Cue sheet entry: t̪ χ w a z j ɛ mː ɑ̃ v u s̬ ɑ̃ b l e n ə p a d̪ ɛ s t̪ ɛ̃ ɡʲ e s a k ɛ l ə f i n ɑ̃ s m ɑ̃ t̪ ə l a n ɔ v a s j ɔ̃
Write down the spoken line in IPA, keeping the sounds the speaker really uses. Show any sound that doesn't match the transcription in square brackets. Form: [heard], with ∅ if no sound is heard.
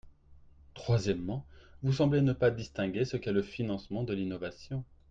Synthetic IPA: t̪ χ w a z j ɛ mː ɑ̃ v u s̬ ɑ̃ b l e n ə p a d̪ [i] s t̪ ɛ̃ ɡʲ e s [ə] k ɛ l ə f i n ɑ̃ s m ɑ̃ [d̪] ə l [i] n ɔ v a s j ɔ̃